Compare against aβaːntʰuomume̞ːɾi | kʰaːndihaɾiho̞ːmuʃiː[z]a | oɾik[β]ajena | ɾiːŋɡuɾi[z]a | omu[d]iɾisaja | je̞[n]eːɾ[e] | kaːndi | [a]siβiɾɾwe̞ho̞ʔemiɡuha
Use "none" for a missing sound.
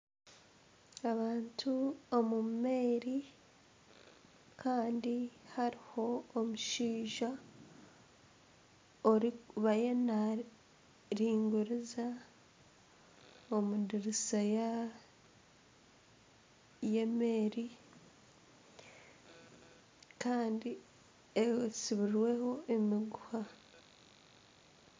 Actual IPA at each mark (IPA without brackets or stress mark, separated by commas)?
ʒ, β, z, d, m, i, e